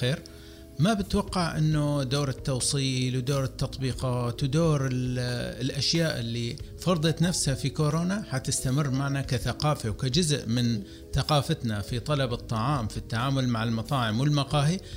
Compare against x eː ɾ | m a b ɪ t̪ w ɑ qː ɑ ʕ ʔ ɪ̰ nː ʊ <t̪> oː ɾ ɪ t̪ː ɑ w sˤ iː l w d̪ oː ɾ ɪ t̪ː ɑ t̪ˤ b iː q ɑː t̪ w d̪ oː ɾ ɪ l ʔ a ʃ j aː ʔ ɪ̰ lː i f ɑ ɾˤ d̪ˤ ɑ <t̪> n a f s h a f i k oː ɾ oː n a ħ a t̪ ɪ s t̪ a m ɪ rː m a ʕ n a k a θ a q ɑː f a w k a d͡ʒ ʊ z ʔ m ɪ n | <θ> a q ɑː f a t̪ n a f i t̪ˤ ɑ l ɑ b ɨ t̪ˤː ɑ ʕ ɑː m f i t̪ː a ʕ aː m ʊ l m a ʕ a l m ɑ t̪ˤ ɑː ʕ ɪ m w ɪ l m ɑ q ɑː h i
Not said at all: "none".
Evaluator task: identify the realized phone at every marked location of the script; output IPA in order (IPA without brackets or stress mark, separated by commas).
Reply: d̪, t̪, θ